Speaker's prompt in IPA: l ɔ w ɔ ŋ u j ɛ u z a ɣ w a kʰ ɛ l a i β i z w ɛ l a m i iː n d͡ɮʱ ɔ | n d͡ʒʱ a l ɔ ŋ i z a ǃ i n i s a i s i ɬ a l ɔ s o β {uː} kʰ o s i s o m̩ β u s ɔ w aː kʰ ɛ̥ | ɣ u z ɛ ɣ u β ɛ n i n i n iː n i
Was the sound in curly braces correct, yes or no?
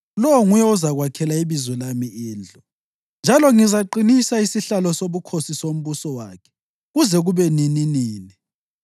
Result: no